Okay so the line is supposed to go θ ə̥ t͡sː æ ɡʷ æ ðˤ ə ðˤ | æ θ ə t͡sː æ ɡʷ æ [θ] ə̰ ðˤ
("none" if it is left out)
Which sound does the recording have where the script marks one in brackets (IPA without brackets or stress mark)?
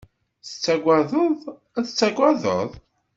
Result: ð